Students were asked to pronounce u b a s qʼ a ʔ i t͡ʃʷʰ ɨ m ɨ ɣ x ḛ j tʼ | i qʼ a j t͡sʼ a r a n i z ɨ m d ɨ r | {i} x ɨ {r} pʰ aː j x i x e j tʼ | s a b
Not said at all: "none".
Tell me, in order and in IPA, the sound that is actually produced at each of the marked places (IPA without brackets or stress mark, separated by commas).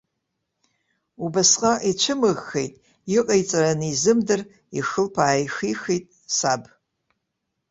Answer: i, l